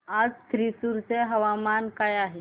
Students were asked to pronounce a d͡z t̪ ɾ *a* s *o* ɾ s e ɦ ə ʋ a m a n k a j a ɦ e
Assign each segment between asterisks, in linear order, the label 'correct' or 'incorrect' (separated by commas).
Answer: incorrect, incorrect